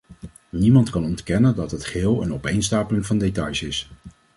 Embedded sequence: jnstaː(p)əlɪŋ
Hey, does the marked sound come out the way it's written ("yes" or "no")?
yes